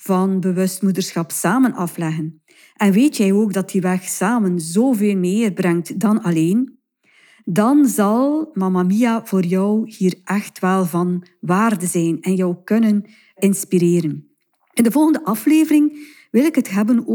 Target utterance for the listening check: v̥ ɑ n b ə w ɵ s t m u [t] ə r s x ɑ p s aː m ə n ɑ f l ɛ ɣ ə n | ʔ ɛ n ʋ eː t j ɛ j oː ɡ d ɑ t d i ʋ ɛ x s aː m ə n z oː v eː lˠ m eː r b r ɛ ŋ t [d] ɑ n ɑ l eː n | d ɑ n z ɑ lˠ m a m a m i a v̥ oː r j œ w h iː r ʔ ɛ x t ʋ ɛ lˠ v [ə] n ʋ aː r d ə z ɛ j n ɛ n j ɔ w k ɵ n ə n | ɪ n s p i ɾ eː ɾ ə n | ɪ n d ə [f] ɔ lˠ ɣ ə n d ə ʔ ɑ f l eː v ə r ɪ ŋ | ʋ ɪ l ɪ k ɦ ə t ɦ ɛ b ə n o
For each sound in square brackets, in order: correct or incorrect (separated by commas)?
incorrect, correct, incorrect, incorrect